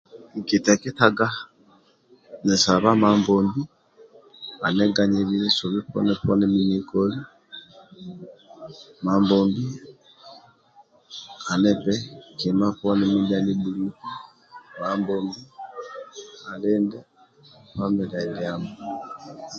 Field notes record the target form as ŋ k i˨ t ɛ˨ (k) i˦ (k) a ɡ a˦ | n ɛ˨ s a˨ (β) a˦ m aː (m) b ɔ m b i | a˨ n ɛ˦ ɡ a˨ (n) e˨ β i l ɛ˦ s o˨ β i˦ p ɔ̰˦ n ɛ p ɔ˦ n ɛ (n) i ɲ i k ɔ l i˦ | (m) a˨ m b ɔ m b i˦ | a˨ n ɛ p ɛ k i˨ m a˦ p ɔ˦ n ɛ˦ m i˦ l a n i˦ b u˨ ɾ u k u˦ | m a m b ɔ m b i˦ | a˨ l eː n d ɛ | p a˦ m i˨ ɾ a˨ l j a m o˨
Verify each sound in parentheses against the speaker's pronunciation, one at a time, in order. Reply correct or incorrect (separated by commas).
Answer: correct, incorrect, correct, correct, incorrect, incorrect, correct